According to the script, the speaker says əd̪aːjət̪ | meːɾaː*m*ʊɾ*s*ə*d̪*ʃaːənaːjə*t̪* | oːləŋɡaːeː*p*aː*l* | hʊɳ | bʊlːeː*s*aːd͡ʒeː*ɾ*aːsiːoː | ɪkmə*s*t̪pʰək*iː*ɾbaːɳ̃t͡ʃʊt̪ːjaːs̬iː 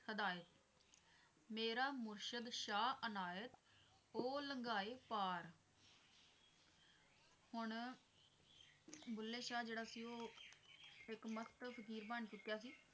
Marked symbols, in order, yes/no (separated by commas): yes, no, yes, yes, yes, no, no, no, yes, yes